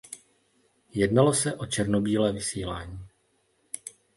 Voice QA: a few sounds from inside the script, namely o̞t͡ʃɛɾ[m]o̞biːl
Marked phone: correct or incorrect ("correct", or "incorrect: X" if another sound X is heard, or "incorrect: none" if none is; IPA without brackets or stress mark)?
incorrect: n